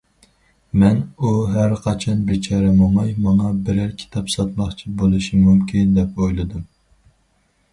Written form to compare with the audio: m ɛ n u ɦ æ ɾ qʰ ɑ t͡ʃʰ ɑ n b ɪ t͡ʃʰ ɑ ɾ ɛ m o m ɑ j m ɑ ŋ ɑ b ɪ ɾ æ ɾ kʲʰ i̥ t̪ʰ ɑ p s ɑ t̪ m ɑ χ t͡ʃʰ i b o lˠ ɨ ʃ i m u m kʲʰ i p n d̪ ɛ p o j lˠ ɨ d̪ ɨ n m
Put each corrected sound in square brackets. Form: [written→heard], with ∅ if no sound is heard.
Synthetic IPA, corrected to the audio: m ɛ n u ɦ æ ɾ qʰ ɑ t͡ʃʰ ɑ n b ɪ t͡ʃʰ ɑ ɾ ɛ m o m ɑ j m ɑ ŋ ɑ b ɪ ɾ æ ɾ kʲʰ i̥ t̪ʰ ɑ p s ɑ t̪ m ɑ χ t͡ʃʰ i b o lˠ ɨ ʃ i m u m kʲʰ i [p→∅] n d̪ ɛ p o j lˠ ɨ d̪ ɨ [n→∅] m